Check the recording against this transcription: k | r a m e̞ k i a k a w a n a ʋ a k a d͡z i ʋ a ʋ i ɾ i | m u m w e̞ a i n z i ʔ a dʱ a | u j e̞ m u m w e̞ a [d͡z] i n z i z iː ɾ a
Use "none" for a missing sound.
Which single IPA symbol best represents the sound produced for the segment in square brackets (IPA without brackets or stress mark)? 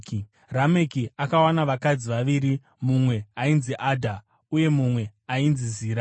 none